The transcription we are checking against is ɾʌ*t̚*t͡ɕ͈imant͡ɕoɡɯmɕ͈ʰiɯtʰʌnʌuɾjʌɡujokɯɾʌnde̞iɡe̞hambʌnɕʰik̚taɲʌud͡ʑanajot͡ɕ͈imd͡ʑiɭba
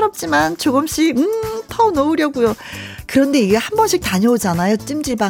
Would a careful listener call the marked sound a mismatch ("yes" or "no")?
yes